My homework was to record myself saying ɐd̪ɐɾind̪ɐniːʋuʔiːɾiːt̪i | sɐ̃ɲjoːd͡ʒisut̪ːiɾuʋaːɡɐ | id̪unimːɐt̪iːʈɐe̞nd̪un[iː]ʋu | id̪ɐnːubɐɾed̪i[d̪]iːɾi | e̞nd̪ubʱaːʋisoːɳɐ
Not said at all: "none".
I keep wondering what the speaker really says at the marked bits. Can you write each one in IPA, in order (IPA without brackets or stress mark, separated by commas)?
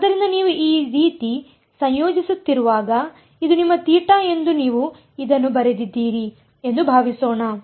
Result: iː, d̪ː